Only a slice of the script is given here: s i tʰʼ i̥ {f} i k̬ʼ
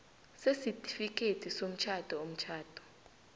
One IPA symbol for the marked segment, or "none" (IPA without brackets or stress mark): f